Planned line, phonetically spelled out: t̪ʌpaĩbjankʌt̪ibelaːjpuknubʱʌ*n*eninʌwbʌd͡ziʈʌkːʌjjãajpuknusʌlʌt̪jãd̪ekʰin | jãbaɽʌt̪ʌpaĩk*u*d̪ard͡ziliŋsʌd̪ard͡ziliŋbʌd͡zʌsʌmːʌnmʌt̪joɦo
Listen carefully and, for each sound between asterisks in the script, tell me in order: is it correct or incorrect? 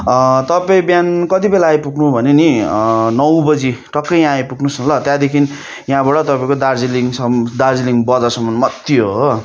correct, incorrect: o

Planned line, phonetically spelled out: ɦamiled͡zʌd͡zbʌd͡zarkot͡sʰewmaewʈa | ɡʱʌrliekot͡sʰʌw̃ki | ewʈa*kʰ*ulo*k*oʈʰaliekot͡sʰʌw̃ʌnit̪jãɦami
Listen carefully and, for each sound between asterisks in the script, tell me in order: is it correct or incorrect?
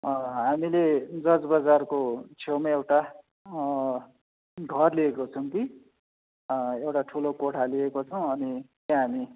incorrect: ʈʰ, correct

